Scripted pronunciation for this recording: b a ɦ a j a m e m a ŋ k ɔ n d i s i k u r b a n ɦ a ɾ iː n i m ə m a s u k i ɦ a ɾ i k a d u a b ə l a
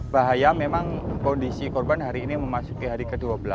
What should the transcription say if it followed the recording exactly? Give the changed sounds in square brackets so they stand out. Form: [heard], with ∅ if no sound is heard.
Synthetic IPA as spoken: b a ɦ a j a m e m a ŋ k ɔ n d i s i k [ɔ] r b a n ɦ a ɾ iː n i m ə m a s u k i ɦ a ɾ i k [ə] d u a b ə l a